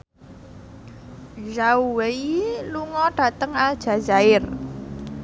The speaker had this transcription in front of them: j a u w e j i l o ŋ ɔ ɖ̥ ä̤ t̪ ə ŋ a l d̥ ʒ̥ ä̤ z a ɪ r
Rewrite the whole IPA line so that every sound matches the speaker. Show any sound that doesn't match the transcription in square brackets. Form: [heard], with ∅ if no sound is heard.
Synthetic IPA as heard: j a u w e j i l [u] ŋ ɔ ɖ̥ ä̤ t̪ ə ŋ a l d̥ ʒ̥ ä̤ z a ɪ r